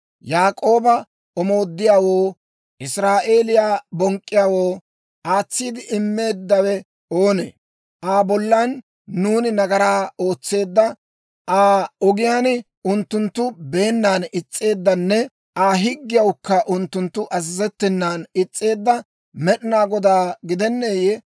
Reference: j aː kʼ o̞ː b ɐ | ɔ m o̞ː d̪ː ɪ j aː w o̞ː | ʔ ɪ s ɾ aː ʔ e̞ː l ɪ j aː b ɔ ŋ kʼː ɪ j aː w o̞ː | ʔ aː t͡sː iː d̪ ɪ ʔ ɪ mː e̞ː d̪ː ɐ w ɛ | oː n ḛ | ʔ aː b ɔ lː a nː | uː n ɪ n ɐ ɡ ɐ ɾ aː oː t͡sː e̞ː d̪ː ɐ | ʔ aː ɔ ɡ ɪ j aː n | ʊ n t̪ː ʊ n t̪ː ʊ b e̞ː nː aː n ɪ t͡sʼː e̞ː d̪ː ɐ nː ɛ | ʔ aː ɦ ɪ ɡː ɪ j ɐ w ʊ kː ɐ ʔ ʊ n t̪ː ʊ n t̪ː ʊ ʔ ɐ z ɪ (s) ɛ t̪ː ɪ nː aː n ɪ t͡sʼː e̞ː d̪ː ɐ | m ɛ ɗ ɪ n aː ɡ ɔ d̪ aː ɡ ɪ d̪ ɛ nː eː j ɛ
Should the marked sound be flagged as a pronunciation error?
yes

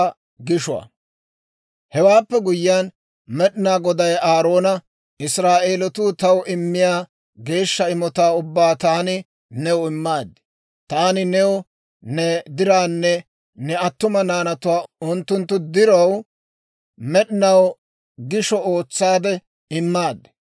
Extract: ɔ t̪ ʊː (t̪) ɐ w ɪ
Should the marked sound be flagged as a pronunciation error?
no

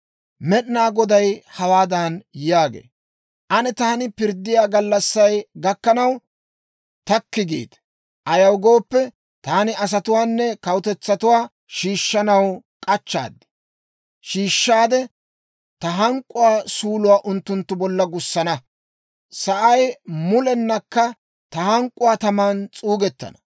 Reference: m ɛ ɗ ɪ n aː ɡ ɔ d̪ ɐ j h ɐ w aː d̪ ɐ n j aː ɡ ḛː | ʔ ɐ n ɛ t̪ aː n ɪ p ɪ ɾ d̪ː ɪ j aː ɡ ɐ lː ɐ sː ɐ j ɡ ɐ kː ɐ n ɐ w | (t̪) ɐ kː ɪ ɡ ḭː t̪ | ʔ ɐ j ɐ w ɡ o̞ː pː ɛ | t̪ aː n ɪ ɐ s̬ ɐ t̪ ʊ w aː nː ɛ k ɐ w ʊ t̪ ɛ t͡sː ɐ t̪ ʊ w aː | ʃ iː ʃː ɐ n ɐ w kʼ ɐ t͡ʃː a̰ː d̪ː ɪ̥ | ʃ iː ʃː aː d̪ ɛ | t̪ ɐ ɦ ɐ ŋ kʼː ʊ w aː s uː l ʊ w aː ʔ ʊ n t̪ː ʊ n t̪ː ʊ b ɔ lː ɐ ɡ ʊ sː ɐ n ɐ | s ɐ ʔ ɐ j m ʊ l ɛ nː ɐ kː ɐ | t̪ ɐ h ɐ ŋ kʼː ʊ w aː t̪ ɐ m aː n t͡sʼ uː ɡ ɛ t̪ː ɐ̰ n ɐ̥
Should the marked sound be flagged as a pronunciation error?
no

